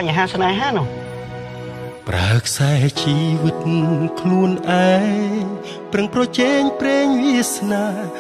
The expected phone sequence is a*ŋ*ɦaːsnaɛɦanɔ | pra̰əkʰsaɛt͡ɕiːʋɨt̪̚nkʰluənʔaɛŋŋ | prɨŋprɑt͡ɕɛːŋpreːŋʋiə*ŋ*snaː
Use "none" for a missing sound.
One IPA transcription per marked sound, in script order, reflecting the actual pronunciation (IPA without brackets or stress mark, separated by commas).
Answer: ɲ, none